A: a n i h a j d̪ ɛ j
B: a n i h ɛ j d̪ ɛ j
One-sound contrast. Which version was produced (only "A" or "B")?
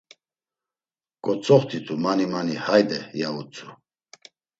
A